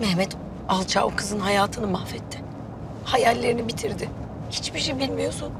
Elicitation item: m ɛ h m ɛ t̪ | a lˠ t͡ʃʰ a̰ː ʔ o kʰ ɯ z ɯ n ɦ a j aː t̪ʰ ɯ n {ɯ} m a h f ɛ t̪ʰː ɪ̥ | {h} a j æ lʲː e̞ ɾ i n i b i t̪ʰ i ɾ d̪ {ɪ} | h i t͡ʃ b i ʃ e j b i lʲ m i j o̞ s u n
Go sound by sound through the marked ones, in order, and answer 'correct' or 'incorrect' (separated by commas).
correct, correct, correct